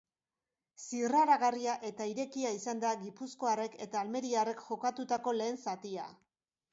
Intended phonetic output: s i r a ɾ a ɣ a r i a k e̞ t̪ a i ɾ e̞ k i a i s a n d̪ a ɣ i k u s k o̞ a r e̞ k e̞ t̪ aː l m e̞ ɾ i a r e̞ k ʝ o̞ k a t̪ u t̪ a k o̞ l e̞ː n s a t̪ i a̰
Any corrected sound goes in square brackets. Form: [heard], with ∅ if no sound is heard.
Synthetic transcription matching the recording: s i r a ɾ a ɣ a r i a [ʔ] e̞ t̪ a i ɾ e̞ k i a i s a n d̪ a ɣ i [p] u s k o̞ a r e̞ k e̞ t̪ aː l m e̞ ɾ i a r e̞ k ʝ o̞ k a t̪ u t̪ a k o̞ l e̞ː n s a t̪ i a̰

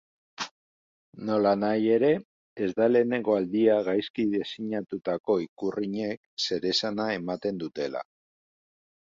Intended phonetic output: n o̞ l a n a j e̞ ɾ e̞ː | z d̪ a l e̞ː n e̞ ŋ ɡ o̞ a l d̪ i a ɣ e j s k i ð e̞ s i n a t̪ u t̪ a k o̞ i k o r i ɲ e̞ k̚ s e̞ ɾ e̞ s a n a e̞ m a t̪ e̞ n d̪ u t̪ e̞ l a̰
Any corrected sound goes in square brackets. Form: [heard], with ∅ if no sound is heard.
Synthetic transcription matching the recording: n o̞ l a n a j e̞ ɾ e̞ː | z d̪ a l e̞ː n e̞ ŋ ɡ o̞ a l d̪ i a ɣ [a] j s k i ð e̞ s i [ɲ] a t̪ u t̪ a k o̞ i k [u] r i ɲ e̞ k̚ s e̞ ɾ e̞ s a n a e̞ m a t̪ e̞ n d̪ u t̪ e̞ l a̰

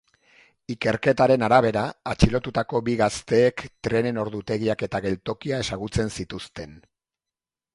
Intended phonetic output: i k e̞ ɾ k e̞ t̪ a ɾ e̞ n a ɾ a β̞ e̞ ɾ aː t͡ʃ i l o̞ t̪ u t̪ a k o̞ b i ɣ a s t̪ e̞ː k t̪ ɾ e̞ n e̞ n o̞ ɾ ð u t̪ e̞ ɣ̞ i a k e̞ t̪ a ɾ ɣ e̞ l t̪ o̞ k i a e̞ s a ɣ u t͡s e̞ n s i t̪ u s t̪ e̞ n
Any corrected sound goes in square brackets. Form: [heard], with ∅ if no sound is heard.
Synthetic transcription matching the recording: i k e̞ ɾ k e̞ t̪ a ɾ e̞ n a ɾ a β̞ e̞ ɾ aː t͡ʃ i l o̞ t̪ u t̪ a k o̞ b i ɣ a s t̪ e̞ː k t̪ ɾ e̞ n e̞ n o̞ ɾ ð u t̪ e̞ ɣ̞ i a k e̞ t̪ a [∅] ɣ e̞ l t̪ o̞ k i a e̞ s a ɣ u t͡s e̞ n s i t̪ u s t̪ e̞ n

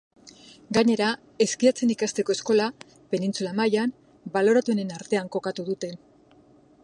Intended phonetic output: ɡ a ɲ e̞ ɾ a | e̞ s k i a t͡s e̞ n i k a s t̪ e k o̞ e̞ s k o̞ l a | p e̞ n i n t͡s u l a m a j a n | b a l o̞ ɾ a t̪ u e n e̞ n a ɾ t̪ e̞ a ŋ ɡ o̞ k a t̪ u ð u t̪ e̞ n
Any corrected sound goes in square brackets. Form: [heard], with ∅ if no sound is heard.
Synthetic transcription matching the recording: ɡ a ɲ e̞ ɾ a | e̞ s k i a t͡s e̞ n i k a s t̪ e k o̞ e̞ s k o̞ l a | p e̞ n i n t͡s u l a m a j a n | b a l o̞ ɾ a t̪ u e n e̞ n a ɾ t̪ e̞ a ŋ [k] o̞ k a t̪ u ð u t̪ e̞ n

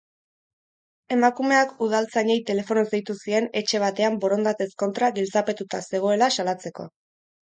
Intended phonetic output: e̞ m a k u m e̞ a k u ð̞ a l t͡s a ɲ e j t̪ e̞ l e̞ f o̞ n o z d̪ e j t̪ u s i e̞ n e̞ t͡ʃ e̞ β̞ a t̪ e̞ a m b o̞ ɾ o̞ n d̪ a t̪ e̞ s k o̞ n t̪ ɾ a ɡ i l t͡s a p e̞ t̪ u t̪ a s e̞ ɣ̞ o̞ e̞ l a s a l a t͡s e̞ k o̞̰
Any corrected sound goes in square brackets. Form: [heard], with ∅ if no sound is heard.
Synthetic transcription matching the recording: e̞ m a k u m e̞ a k u ð̞ a l t͡s a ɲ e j t̪ e̞ l e̞ f o̞ n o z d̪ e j t̪ u s i e̞ n e̞ t͡ʃ e̞ β̞ a t̪ e̞ a m b o̞ ɾ o̞ n d̪ a t̪ e̞ s k o̞ n t̪ ɾ a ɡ i l t͡s a p e̞ t̪ u t̪ a s e̞ ɣ̞ o̞ e̞ l a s a l a t͡s e̞ k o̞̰

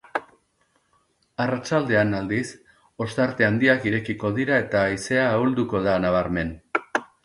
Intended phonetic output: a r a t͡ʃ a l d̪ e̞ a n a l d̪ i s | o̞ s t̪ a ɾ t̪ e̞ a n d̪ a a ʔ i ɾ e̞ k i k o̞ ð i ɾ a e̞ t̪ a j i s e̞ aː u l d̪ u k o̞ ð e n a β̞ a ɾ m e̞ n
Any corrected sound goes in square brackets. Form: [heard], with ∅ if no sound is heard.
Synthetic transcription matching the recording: a r a t͡ʃ a l d̪ e̞ a n a l d̪ i s | o̞ s t̪ a ɾ t̪ e̞ a n d̪ [i] a [k] i ɾ e̞ k i k o̞ ð i ɾ a e̞ t̪ a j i s e̞ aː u l d̪ u k o̞ ð [a] n a β̞ a ɾ m e̞ n

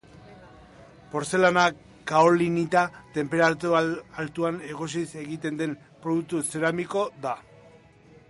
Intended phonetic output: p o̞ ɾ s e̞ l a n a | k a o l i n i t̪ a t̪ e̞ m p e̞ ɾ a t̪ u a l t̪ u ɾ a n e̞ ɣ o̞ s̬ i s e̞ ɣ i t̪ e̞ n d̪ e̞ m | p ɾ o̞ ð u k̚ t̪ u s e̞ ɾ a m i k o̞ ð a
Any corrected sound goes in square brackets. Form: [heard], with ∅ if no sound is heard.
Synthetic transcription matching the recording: p o̞ ɾ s e̞ l a n a | k a o l i n i t̪ a t̪ e̞ m p e̞ ɾ a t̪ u a l t̪ u [∅] a n e̞ ɣ o̞ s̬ i s e̞ ɣ i t̪ e̞ n d̪ e̞ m | p ɾ o̞ ð u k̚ t̪ u s e̞ ɾ a m i k o̞ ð a

